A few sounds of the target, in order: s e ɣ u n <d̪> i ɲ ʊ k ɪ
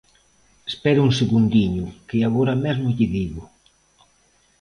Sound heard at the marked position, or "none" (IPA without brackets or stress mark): d̪